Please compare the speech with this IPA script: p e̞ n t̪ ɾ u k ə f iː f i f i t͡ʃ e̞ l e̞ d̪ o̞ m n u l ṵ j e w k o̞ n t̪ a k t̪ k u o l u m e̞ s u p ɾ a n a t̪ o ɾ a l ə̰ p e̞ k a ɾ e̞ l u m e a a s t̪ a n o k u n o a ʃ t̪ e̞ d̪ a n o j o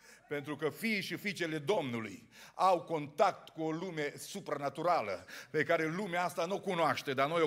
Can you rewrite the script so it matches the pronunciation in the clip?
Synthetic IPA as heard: p e̞ n t̪ ɾ u k ə f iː ʃ i f i t͡ʃ e̞ l e̞ d̪ o̞ m n u l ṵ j a w k o̞ n t̪ a k t̪ k u o l u m e̞ s u p ɾ a n a t̪ u ɾ a l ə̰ p e̞ k a ɾ e̞ l u m e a a s t̪ a n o k u n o a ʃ t̪ e̞ d̪ a n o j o